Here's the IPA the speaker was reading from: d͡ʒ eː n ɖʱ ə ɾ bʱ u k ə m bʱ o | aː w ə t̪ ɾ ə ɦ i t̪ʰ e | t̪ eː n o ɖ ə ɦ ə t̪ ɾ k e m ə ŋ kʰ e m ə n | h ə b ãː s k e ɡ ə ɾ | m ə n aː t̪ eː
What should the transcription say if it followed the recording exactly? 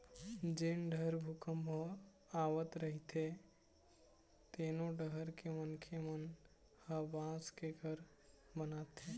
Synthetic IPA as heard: d͡ʒ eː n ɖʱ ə ɾ bʱ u k ə m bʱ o | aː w ə t̪ ɾ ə ɦ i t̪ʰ e | t̪ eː n o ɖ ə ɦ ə ɾ k e m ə n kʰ e m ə n | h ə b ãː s k e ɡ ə ɾ | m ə n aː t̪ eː